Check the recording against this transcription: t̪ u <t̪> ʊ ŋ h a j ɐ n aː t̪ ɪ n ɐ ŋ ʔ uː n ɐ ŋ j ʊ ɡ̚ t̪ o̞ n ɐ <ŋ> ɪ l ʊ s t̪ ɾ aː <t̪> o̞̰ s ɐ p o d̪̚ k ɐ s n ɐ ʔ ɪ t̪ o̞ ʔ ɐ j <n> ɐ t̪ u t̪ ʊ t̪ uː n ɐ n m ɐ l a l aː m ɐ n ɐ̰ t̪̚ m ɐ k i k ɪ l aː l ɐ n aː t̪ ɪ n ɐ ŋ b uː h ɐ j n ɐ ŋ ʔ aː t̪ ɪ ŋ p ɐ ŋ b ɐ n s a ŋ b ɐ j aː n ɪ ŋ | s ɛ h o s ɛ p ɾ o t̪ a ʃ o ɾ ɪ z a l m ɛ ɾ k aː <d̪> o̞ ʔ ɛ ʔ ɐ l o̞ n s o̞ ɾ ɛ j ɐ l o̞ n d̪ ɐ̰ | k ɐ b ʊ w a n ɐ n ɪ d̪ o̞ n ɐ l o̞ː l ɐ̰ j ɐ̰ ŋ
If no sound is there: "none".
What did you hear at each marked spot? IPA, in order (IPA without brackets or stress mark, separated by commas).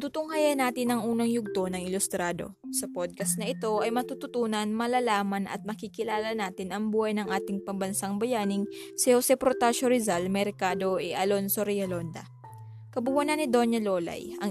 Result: t̪, ŋ, d̪, m, d̪